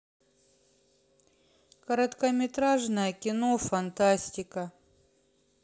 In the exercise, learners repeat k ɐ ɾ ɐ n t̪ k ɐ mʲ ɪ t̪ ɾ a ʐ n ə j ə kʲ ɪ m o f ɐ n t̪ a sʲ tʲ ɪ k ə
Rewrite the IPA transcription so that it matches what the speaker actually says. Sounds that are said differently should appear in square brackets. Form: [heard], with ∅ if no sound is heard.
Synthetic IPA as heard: k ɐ ɾ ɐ [∅] t̪ k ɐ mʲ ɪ t̪ ɾ a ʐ n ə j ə kʲ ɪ [n] o f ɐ n t̪ a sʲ tʲ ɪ k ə